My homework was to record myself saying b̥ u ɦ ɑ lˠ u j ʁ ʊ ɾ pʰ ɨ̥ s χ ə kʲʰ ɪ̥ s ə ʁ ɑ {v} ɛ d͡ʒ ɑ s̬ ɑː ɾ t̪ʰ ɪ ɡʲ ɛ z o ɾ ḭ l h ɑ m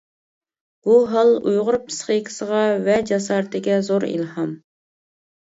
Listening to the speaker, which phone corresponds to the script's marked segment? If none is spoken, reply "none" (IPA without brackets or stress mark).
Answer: v